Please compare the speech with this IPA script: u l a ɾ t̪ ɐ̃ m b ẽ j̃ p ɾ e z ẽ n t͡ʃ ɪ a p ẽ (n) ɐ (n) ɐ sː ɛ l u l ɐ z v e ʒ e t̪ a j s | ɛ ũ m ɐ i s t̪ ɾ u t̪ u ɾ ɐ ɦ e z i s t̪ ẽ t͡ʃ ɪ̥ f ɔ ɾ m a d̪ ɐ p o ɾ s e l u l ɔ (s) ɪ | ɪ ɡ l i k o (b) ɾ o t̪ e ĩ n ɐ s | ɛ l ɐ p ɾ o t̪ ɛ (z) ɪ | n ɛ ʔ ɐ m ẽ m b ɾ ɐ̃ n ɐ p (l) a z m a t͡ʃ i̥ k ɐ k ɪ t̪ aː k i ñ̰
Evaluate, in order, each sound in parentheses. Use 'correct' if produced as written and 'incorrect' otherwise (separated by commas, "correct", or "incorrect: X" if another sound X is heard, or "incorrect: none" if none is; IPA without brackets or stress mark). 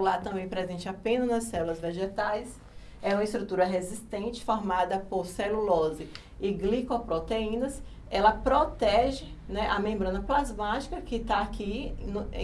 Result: correct, correct, incorrect: z, incorrect: p, incorrect: ʒ, correct